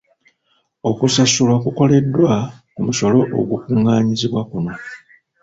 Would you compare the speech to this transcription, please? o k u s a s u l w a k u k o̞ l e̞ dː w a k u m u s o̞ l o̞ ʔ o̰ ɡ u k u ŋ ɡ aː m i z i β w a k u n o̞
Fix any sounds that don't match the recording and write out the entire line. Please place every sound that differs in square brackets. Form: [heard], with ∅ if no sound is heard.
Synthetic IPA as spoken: o k u s a s u l w a k u k o̞ l e̞ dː w a k u m u s o̞ l o̞ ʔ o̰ ɡ u k u ŋ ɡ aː [ɲ] i z i β w a k u n o̞